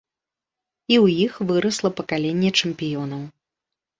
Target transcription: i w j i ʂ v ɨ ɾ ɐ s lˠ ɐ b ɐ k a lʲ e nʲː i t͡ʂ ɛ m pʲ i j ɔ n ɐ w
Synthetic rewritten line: i w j i x v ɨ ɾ ɐ s lˠ ɐ p ɐ k a lʲ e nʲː ɛ t͡ʂ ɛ m pʲ i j ɔ n ɐ w